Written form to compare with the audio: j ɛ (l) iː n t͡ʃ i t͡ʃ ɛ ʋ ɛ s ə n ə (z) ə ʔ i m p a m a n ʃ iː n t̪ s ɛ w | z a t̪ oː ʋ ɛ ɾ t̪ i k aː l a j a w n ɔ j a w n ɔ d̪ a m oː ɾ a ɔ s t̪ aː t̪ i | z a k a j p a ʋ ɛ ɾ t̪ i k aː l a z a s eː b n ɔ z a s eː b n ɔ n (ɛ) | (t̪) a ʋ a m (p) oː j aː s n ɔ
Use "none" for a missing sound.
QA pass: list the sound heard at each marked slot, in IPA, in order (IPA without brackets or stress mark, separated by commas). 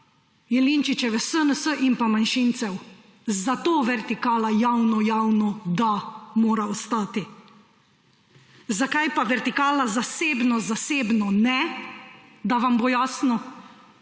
l, s, ɛ, d̪, b